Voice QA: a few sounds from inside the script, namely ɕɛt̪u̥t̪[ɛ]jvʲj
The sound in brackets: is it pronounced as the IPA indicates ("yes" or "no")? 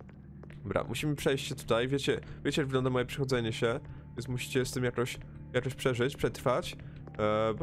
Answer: no